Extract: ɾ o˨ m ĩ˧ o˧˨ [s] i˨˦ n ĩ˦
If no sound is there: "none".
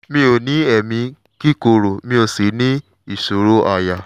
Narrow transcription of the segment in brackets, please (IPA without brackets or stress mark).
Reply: s